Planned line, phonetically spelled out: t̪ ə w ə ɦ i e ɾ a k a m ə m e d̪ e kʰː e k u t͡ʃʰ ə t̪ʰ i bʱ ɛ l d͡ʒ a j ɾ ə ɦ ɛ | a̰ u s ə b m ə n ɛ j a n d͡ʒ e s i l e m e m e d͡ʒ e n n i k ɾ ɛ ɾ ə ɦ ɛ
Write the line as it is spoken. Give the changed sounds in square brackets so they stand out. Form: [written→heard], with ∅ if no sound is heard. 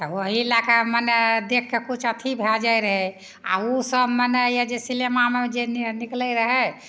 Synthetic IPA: t̪ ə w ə ɦ i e [ɾ→l] a k a m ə [m→n] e d̪ e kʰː e k u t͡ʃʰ ə t̪ʰ i bʱ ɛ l d͡ʒ a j ɾ ə ɦ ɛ | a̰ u s ə b m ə n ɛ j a [n→∅] d͡ʒ e s i l e m [e→a] m e d͡ʒ e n n i k [ɾ→l] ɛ ɾ ə ɦ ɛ

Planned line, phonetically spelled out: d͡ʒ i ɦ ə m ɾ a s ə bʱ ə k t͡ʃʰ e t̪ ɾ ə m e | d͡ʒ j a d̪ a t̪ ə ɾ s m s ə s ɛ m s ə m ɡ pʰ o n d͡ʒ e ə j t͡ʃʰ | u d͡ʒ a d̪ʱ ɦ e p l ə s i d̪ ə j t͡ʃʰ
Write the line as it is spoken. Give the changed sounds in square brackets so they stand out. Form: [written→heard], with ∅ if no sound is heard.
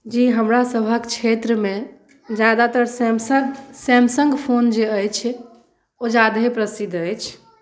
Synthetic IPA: d͡ʒ i ɦ ə m ɾ a s ə bʱ ə k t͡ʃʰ e t̪ ɾ ə m e | d͡ʒ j a d̪ a t̪ ə ɾ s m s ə s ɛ m s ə [m→ŋ] ɡ pʰ o n d͡ʒ e ə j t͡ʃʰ | [u→o] d͡ʒ a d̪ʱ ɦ e p [l→ɾ] ə s i d̪ ə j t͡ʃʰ

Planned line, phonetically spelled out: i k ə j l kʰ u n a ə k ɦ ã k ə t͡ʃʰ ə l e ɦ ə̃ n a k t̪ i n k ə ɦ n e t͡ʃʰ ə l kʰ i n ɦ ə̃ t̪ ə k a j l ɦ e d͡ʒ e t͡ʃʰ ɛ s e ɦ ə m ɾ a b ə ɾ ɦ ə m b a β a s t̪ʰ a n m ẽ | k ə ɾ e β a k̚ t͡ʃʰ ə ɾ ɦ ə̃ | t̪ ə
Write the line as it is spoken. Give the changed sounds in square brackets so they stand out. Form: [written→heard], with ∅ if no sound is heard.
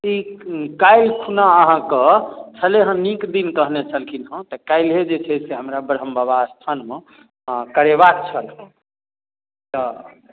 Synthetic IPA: i k [ə→a] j l kʰ u n a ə [k→∅] ɦ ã k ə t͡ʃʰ ə l e ɦ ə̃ n [a→i] k [t̪→d̪] i n k ə ɦ n e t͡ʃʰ ə l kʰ i n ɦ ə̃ t̪ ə k a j l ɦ e d͡ʒ e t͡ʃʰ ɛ s e ɦ ə m ɾ a b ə ɾ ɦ ə m b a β a s t̪ʰ a n m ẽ | k ə ɾ e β a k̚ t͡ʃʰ ə [ɾ→l] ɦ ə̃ | t̪ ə

